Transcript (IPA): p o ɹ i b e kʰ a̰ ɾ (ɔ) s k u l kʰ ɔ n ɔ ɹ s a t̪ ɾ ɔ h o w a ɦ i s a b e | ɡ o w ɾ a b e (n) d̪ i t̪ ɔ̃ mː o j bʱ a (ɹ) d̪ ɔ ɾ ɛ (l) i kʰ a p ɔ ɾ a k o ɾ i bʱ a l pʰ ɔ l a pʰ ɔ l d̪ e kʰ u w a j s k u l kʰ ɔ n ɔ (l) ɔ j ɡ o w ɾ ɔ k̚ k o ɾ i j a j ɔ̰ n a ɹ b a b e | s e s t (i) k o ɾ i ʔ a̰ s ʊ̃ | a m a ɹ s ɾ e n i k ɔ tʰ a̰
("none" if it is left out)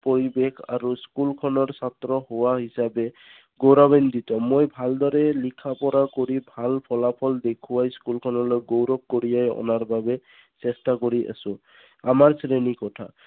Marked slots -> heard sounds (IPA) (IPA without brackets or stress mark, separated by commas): u, n, l, l, l, a